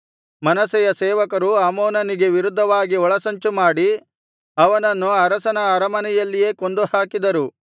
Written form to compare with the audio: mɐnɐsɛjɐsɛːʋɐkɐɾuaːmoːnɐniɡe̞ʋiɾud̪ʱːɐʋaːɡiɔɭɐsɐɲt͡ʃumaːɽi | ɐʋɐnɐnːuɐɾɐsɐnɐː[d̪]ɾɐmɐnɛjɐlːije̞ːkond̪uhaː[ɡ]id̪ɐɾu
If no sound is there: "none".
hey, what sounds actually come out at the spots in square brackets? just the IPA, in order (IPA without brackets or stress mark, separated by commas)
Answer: none, k